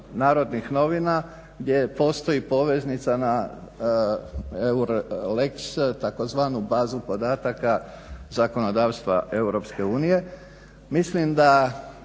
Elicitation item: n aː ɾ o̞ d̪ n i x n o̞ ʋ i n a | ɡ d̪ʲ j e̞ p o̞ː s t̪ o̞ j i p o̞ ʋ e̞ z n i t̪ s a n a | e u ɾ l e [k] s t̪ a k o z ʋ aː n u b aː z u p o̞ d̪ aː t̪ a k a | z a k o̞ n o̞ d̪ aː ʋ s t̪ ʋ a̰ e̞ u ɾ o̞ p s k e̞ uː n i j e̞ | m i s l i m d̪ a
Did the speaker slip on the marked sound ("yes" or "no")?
no